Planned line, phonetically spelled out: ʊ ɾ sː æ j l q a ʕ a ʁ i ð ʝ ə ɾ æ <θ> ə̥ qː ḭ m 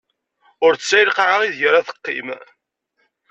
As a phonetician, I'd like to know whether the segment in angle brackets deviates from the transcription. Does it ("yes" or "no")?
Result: no